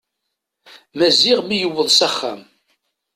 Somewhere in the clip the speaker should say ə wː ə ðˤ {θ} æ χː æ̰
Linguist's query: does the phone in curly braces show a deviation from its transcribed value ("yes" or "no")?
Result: yes